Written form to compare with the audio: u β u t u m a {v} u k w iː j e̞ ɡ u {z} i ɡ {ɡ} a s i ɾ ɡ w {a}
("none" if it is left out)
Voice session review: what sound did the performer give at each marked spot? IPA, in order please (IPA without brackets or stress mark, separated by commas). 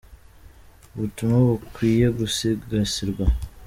β, s, ɡ, a